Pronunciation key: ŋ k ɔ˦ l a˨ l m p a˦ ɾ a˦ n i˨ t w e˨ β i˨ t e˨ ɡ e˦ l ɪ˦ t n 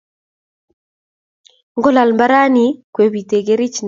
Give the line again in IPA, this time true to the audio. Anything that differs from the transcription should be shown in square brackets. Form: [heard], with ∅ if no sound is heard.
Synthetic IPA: ŋ [ɡ] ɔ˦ l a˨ l m [b] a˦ ɾ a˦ n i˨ [k] w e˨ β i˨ t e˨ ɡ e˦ [ɾ] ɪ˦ [t͡ʃ] n